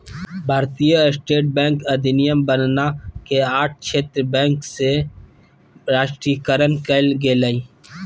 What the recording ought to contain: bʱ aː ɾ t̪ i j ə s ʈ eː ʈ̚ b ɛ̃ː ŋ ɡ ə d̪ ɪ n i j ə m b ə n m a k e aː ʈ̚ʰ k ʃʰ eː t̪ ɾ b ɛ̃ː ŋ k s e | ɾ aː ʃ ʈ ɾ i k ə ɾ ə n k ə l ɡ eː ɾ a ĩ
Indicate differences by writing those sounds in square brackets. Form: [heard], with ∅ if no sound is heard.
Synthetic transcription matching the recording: bʱ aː ɾ t̪ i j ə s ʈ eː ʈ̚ b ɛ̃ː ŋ [k] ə d̪ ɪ n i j ə m b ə n [n] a k e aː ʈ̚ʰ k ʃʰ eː t̪ ɾ b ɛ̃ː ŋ k s e | ɾ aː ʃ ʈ ɾ i k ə ɾ ə n k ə l ɡ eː [l] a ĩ